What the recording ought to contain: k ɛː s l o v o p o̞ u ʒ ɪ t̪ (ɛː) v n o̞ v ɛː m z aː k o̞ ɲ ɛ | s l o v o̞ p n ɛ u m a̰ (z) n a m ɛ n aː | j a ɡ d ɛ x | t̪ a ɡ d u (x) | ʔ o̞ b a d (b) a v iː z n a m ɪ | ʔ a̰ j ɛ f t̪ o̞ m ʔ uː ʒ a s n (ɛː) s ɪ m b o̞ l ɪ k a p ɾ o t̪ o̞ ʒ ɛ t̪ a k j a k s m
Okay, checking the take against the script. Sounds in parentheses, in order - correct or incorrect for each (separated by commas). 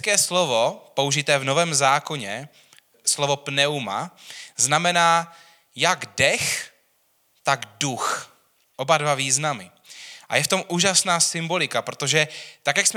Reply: correct, correct, correct, incorrect, incorrect